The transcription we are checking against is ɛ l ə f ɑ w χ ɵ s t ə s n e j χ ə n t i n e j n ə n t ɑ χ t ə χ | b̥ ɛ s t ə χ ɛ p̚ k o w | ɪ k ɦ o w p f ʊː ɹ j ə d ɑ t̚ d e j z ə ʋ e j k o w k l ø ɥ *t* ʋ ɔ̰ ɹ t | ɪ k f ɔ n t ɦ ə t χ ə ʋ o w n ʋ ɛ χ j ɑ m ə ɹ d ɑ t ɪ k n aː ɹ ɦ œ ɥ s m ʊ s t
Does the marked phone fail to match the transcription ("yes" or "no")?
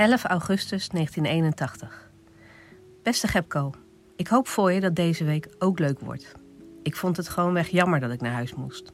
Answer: yes